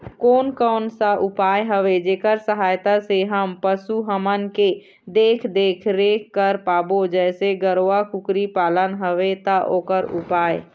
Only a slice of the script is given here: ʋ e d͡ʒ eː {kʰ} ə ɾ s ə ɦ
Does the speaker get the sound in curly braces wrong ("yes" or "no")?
yes